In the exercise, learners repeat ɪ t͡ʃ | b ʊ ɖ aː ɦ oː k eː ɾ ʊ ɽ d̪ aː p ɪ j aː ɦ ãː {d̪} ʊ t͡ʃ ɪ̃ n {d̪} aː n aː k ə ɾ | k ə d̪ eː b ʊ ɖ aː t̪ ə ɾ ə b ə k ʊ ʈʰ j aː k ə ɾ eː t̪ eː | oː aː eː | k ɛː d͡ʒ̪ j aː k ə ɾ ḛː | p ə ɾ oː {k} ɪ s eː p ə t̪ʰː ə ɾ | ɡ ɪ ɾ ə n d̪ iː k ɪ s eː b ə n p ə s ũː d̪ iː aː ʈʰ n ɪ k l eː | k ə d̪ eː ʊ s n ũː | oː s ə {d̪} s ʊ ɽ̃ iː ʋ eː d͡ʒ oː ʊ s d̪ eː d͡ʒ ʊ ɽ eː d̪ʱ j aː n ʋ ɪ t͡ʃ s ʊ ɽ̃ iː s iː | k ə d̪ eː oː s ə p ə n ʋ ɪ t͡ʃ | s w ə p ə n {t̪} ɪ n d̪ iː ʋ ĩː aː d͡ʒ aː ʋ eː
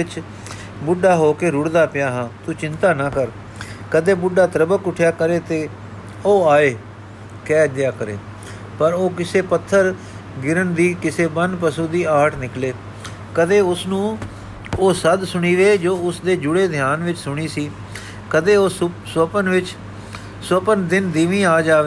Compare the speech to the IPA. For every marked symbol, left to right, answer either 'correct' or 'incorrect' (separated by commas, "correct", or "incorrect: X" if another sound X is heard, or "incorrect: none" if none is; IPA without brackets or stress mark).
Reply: incorrect: t̪, incorrect: t̪, correct, correct, incorrect: d̪